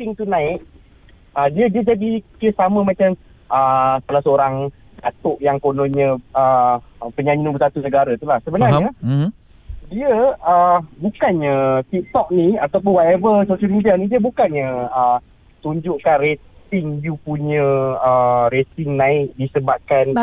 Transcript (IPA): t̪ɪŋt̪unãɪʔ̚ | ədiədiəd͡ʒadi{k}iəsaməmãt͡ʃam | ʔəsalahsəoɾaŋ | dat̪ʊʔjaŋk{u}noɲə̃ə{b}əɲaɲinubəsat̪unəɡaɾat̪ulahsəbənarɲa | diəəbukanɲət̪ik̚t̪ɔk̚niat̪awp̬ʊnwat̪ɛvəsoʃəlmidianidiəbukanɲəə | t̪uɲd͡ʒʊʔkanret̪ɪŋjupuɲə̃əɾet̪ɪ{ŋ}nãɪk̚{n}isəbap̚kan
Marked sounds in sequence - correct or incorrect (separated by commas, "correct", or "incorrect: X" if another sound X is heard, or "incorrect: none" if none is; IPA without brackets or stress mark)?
correct, incorrect: o, incorrect: p, correct, incorrect: d